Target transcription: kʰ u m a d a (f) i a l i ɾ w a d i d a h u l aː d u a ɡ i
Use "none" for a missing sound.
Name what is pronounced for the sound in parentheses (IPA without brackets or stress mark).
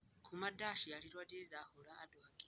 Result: ʃ